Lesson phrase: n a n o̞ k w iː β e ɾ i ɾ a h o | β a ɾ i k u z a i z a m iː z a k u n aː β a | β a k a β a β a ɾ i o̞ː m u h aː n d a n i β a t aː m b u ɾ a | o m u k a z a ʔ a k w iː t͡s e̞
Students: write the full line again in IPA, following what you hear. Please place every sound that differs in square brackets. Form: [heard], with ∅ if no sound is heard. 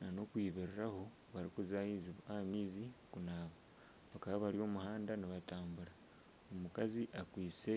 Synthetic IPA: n a n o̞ k w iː β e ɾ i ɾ a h o | β a ɾ i k u z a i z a m iː z [i] k u n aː β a | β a k a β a β a ɾ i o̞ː m u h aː n d a n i β a t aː m b u ɾ a | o m u k a z [i] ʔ a k w iː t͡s e̞

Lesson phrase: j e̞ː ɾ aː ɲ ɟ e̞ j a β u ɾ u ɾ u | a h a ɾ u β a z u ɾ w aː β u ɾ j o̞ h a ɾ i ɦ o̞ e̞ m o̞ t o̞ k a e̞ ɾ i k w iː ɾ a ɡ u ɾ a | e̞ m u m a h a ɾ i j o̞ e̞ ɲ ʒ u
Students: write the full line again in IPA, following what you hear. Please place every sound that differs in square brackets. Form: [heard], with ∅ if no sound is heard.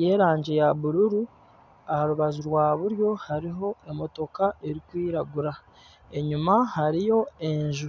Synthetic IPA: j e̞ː ɾ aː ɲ ɟ e̞ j a β u ɾ u ɾ u | a h a ɾ u β a z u ɾ w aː β u ɾ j o̞ h a ɾ i ɦ o̞ e̞ m o̞ t o̞ k a e̞ ɾ i k w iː ɾ a ɡ u ɾ a | e̞ [ɲ] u m a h a ɾ i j o̞ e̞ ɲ ʒ u

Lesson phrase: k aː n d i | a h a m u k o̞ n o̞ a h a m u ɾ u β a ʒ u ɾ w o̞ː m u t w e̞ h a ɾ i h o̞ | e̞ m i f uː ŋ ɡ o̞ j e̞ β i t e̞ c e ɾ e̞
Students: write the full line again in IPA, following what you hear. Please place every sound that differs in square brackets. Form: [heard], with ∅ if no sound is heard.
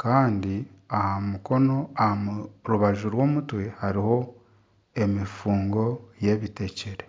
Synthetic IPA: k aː n d i | a h a m u k o̞ n o̞ a h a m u ɾ u β a ʒ u ɾ w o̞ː m u t w e̞ h a ɾ i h o̞ | e̞ m i f uː ŋ ɡ o̞ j e̞ β i t e̞ c e ɾ e̞

